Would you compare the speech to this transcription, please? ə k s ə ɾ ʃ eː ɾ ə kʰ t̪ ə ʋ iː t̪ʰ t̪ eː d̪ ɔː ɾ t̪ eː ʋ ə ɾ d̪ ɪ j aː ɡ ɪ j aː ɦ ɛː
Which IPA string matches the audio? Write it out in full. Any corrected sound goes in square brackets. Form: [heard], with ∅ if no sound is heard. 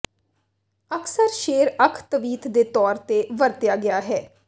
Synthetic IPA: ə k s ə ɾ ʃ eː ɾ ə kʰ t̪ ə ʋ iː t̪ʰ [d̪] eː [t̪] ɔː ɾ t̪ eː ʋ ə ɾ [t̪] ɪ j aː ɡ ɪ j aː ɦ ɛː